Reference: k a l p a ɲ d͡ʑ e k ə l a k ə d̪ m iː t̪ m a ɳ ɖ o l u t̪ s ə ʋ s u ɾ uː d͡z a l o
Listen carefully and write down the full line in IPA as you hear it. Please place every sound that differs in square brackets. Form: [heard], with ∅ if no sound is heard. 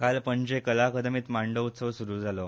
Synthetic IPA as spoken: k a l p [ə] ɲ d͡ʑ e k ə l a k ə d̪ m iː t̪ m a ɳ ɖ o [∅] u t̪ s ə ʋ s u ɾ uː d͡z a l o